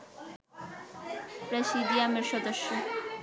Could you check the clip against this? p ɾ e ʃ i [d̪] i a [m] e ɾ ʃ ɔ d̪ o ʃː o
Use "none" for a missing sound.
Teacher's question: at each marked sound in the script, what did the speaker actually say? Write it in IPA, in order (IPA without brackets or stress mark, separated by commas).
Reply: d̪, m